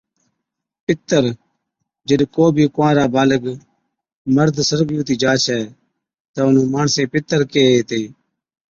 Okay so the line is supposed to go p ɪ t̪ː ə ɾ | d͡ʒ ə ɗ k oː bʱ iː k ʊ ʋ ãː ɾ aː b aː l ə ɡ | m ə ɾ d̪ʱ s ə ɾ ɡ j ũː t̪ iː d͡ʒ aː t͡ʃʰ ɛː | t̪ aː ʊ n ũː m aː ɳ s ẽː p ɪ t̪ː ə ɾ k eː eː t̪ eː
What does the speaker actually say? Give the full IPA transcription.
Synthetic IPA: p ɪ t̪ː ə ɾ | d͡ʒ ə ɗ k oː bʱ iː k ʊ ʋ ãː ɾ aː b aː l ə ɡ | m ə ɾ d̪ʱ s ə ɾ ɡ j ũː t̪ iː d͡ʒ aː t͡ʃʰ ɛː | t̪ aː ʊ n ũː m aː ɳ s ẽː p ɪ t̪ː ə ɾ k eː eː t̪ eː

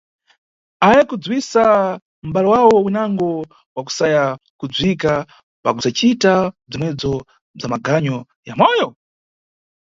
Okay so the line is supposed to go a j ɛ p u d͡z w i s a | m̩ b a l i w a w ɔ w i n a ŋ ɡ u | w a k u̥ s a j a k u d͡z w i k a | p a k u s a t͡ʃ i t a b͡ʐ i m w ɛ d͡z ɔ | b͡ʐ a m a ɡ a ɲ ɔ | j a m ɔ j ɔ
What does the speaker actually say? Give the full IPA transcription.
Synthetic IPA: a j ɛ k u d͡z w i s a | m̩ b a l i w a w ɔ w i n a ŋ ɡ ɔ | w a k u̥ s a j a k u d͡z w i k a | p a k u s a t͡ʃ i t a b͡ʐ i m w ɛ d͡z ɔ | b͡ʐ a m a ɡ a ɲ ɔ | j a m ɔ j ɔ

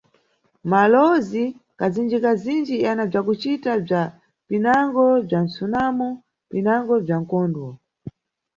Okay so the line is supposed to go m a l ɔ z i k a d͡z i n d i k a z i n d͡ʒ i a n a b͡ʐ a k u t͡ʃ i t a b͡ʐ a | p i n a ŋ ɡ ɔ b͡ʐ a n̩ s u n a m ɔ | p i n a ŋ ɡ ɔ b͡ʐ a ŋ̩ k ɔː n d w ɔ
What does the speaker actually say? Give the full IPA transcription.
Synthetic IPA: m a l ɔ z i k a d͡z i n d͡ʒ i k a z i n d͡ʒ i a n a b͡ʐ a k u t͡ʃ i t a b͡ʐ a | p i n a ŋ ɡ ɔ b͡ʐ a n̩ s u n a m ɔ | p i n a ŋ ɡ ɔ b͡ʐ a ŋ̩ k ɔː n d w ɔ

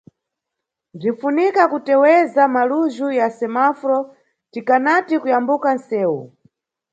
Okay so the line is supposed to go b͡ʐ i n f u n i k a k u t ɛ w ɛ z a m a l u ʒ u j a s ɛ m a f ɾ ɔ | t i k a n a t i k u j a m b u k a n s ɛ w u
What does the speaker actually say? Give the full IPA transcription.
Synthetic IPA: b͡ʐ i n f u n i k a k u t ɛ w ɛ z a m a l u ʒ u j a s ɛ m a f ɾ ɔ | t i k a n a t i k u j a m b u k a n s ɛː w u

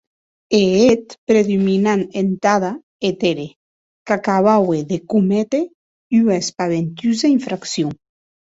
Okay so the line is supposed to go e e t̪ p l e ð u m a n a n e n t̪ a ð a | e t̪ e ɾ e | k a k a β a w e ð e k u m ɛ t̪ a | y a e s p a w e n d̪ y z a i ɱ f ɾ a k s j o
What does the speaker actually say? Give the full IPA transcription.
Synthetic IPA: e e t̪ p ɾ e ð u m i n a n e n t̪ a ð a | e t̪ e ɾ e | k a k a β a w e ð e k u m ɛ t̪ e | y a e s p a β e n t̪ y z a i ɱ f ɾ a k s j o

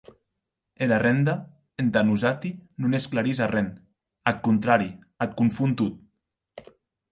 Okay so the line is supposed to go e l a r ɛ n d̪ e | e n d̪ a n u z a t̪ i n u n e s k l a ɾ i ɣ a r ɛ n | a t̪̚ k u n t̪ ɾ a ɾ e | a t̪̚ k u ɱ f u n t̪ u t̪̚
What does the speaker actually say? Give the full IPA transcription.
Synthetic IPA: e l a r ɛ n d̪ a | e n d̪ a n u z a t̪ i n u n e s k l a ɾ i z a r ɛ n | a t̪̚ k u n t̪ ɾ a ɾ i | a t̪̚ k u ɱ f u n t̪ u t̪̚

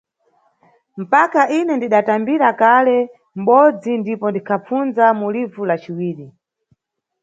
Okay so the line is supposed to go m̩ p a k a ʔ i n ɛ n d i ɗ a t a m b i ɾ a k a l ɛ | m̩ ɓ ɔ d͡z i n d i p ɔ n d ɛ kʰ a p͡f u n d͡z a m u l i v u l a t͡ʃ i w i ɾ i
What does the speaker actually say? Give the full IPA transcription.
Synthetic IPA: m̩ p a k a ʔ i n ɛ n d i ɗ a t a m b i ɾ a k a l ɛ | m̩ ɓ ɔ d͡z i n d i p ɔ n d i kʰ a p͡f u n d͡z a m u l i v u l a t͡ʃ i w iː ɾ i

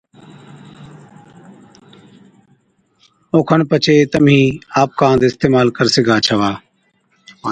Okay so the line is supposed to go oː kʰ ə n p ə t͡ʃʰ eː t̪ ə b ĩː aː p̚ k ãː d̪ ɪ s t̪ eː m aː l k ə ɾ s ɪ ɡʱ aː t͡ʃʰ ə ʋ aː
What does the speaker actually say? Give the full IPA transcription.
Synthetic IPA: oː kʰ ə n p ə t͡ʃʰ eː t̪ ə m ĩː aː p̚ k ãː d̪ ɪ s t̪ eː m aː l k ə ɾ s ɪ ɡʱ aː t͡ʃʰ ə ʋ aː

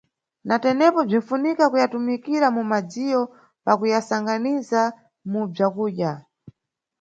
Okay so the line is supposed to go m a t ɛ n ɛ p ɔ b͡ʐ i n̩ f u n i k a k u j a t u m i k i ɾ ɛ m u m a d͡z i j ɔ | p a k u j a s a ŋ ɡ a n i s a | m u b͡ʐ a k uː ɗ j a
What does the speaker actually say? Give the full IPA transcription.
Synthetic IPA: n a t ɛ n ɛ p ɔ b͡ʐ i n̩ f u n i k a k u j a t u m i k i ɾ a m u m a d͡z i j ɔ | p a k u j a s a ŋ ɡ a n i z a | m u b͡ʐ a k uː ɗ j a

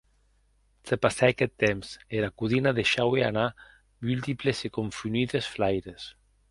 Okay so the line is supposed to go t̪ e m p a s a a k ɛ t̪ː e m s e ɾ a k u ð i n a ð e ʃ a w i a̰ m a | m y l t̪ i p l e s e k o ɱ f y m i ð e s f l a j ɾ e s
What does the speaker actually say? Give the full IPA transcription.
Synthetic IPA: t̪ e p a s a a k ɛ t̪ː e m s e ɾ a k u ð i n a ð e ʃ a w e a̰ n a | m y l t̪ i p l e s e k o ɱ f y n i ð e s f l a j ɾ e s

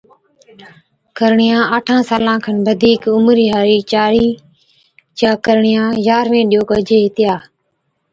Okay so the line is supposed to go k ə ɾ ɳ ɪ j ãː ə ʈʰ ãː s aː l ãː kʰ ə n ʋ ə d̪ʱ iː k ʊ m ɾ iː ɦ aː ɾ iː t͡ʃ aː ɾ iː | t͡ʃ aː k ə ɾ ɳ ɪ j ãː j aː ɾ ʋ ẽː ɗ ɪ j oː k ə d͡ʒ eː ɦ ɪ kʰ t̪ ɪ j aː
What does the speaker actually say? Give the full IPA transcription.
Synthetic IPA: k ə ɾ ɳ ɪ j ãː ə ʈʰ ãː s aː l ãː kʰ ə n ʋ ə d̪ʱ iː k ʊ m ɾ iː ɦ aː ɾ iː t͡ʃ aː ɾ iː | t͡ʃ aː k ə ɾ ɳ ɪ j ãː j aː ɾ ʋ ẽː ɗ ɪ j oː k ə d͡ʒ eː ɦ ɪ t̪ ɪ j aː

